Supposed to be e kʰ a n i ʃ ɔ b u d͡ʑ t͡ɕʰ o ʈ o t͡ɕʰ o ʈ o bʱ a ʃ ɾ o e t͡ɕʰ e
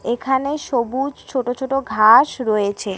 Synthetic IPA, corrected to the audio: e kʰ a n e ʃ o b u d͡ʑ t͡ɕʰ o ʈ o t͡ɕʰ o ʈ o ɡʱ a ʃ ɾ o e t͡ɕʰ e